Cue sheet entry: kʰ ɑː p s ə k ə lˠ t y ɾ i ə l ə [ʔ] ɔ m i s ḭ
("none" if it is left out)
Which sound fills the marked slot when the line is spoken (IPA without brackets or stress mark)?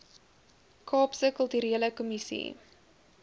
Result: k